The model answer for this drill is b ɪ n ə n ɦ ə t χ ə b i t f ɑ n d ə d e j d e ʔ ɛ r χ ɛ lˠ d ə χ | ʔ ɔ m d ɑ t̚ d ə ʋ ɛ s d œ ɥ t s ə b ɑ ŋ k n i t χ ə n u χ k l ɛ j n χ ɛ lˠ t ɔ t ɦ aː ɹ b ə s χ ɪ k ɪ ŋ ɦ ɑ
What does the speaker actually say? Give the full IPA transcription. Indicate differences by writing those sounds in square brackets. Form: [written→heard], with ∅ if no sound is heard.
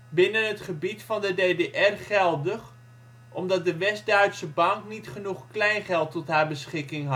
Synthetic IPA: b ɪ n ə n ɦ ə t χ ə b i t f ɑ n d ə d e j d e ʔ ɛ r χ ɛ lˠ d ə χ | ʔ ɔ m d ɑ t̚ d ə ʋ ɛ s d œ ɥ t s ə b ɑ ŋ k n i t χ ə n u χ k l ɛ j n χ ɛ lˠ t ɔ t ɦ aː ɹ b ə s χ ɪ k ɪ ŋ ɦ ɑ